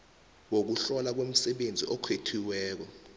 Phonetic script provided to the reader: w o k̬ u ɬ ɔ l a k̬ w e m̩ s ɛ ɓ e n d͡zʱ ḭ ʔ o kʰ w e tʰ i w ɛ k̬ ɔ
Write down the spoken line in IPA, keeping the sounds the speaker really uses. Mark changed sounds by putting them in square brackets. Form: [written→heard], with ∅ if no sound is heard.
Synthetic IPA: w o k̬ u ɬ ɔ l a k̬ w e m̩ s ɛ ɓ e n d͡zʱ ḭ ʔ [o→ɔ] kʰ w e tʰ i w [ɛ→ɛː] k̬ ɔ